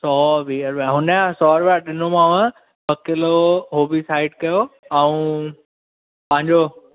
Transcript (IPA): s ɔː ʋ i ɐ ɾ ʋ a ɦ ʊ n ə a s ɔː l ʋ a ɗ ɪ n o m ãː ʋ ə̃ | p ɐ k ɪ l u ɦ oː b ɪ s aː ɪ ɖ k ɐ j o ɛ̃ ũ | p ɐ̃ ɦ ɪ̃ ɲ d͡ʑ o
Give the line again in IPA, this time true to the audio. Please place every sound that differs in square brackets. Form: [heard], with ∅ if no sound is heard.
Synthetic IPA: s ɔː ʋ i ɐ ɾ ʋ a ɦ ʊ n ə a s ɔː [ɾ] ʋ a ɗ ɪ n o m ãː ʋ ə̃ | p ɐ k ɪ l [o] ɦ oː b [i] s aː ɪ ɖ k ɐ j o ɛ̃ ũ | p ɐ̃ ɦ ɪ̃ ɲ d͡ʑ o